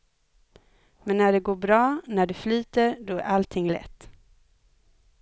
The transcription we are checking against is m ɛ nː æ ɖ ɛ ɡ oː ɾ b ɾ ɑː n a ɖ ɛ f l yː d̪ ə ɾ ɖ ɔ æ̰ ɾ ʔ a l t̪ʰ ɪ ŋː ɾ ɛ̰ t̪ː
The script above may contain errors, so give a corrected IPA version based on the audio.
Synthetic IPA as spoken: m ɛ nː æ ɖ ɛ ɡ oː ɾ b ɾ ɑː n æ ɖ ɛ f l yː t̪ ə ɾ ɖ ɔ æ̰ ɾ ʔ a l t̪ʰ ɪ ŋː l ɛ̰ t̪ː